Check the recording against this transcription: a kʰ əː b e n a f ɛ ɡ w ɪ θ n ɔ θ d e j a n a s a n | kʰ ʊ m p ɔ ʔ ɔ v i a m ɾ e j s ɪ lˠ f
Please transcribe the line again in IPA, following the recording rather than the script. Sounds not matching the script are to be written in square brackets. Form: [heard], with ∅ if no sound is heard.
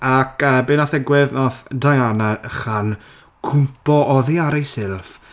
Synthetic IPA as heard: a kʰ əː b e n a [θ] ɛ ɡ w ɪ [ð] n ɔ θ d [a] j a n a [χ] a n | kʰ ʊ m p ɔ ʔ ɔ [ð] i a [∅] ɾ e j s ɪ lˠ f